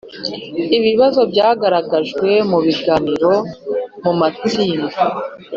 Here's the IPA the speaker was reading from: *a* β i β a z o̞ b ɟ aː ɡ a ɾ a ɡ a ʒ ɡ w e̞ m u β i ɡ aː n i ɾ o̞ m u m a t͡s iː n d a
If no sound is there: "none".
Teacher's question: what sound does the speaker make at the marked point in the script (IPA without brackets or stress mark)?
i